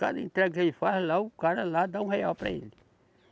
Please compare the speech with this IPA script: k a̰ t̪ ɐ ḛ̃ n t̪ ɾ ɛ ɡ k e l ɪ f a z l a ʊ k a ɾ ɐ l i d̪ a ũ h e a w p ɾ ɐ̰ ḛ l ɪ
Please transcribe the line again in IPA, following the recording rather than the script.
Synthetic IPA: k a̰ d̪ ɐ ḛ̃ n t̪ ɾ ɛ ɡ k e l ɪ f a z l a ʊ k a ɾ ɐ l a d̪ a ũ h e a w p ɾ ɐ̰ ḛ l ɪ